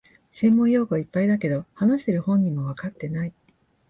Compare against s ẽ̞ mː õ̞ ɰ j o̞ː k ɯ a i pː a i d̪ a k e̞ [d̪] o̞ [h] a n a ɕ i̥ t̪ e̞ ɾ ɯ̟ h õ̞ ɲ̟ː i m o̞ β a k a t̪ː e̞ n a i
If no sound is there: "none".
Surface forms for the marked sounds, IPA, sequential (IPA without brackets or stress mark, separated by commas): d̪, h